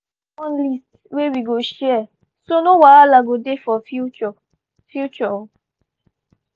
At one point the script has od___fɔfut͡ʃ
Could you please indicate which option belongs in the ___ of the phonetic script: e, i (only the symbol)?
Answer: e